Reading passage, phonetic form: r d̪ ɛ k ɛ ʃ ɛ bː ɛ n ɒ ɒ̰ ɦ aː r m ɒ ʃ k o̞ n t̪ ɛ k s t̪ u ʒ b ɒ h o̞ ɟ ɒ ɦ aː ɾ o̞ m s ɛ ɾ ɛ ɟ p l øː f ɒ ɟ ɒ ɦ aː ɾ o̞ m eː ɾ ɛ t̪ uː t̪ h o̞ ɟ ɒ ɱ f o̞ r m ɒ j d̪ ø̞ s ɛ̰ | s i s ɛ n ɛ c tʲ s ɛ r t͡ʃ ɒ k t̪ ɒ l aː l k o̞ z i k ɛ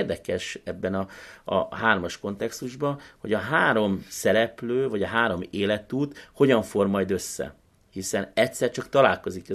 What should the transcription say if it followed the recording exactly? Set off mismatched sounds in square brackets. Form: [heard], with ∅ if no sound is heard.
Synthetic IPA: r d̪ ɛ k ɛ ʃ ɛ bː ɛ n ɒ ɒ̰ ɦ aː r m ɒ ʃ k o̞ n t̪ ɛ k s t̪ u ʒ b ɒ h o̞ ɟ ɒ ɦ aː ɾ o̞ m s ɛ ɾ ɛ [∅] p l øː [v] ɒ ɟ ɒ ɦ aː ɾ o̞ m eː [l] ɛ t̪ uː t̪ h o̞ ɟ ɒ ɱ f o̞ r m ɒ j d̪ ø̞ [sː] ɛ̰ | [h] i s ɛ n ɛ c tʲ s ɛ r t͡ʃ ɒ k t̪ ɒ l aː l k o̞ z i k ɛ